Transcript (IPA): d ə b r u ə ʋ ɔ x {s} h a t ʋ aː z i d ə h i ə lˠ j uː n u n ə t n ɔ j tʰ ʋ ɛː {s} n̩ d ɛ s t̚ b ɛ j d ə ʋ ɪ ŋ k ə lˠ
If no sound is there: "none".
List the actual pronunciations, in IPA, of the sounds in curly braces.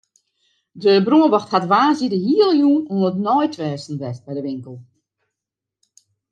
t, s

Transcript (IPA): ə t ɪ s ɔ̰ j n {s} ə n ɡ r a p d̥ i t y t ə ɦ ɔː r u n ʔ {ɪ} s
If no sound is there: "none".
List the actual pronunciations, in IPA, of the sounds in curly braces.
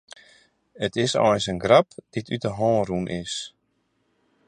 s, ɪ

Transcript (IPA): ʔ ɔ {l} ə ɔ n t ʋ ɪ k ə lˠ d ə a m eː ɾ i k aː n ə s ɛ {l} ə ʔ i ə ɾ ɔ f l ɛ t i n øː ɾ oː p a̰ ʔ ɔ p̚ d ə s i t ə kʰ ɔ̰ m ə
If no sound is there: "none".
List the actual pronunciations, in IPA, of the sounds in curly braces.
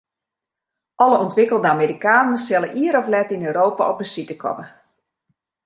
l, l

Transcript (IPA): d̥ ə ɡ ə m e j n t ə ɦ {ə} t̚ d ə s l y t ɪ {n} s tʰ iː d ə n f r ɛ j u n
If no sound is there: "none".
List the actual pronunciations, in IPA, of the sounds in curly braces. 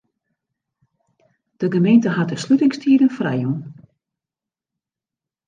a, ŋ

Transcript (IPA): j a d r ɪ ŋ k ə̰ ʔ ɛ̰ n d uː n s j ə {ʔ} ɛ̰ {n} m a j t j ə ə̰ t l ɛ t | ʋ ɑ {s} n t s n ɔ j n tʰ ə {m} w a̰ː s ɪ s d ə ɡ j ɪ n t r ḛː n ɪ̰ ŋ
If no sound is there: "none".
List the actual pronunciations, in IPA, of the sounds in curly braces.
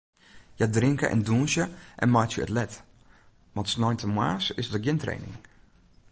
ʔ, n, none, m

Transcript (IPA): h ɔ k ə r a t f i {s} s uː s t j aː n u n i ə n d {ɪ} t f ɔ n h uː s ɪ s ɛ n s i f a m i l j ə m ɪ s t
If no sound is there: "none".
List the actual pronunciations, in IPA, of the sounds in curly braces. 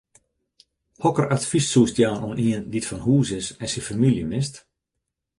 s, i

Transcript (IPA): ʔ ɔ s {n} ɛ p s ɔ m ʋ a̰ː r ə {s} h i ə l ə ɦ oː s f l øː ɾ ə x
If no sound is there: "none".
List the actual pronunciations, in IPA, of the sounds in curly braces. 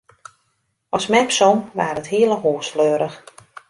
m, t

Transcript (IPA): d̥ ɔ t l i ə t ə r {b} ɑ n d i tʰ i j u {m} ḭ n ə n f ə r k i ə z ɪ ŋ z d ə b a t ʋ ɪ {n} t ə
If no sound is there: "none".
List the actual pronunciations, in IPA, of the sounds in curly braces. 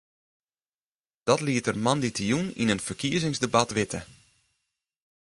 m, n, none

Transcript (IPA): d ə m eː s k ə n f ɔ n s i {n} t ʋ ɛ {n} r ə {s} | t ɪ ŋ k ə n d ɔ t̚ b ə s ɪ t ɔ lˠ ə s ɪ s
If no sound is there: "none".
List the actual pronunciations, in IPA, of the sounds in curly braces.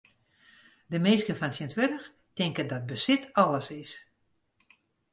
n, none, x

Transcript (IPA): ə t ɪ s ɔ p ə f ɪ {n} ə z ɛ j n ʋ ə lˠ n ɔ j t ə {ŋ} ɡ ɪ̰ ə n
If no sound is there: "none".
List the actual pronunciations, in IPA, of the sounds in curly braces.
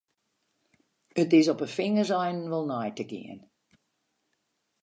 ŋ, none

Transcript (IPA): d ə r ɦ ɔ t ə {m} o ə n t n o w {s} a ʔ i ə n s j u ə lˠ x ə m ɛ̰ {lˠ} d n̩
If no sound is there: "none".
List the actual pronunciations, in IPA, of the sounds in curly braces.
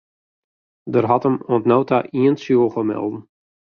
m, t, lˠ

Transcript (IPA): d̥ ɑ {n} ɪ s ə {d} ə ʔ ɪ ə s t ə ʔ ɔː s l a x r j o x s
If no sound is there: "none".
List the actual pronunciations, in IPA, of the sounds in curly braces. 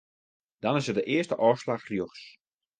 n, d

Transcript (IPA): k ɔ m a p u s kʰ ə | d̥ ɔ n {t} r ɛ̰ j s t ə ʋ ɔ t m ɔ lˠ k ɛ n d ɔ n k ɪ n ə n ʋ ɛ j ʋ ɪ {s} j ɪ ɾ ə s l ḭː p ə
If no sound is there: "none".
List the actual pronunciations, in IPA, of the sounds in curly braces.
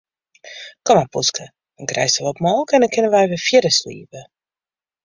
k, f

